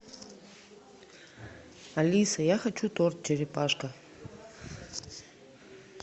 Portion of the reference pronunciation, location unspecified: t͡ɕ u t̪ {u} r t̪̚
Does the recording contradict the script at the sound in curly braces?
yes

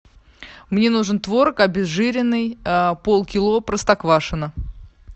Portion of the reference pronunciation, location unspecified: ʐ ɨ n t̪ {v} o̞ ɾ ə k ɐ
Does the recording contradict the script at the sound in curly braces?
no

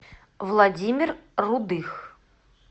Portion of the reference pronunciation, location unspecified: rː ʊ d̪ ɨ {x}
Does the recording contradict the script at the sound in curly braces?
no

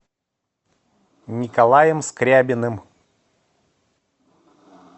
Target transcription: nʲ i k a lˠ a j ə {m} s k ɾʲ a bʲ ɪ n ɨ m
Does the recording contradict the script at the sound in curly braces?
no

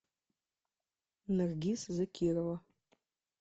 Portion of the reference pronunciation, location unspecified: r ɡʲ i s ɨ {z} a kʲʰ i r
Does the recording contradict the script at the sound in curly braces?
no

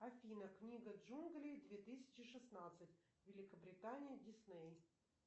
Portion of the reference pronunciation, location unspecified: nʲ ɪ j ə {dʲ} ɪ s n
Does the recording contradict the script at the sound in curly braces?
no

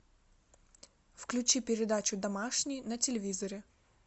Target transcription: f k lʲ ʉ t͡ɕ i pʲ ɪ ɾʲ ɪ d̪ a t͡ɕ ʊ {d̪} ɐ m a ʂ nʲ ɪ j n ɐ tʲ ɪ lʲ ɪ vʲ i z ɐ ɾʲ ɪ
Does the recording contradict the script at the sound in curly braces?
no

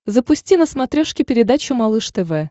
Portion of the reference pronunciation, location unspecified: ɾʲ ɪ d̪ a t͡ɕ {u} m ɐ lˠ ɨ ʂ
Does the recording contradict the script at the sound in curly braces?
yes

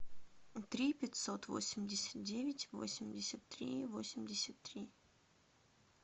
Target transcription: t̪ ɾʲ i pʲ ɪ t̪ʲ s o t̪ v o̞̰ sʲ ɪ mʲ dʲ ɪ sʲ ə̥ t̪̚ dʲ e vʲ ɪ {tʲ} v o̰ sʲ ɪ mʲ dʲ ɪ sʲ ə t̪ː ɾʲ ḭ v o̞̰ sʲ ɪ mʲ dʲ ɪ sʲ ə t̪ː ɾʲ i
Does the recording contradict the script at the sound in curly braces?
no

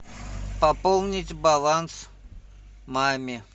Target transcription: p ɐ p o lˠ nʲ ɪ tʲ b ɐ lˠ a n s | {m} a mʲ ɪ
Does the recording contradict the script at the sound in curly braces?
no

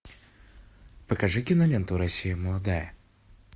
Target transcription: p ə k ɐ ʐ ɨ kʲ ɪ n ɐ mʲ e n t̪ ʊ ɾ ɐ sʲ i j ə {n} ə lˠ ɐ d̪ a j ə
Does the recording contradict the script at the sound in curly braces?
yes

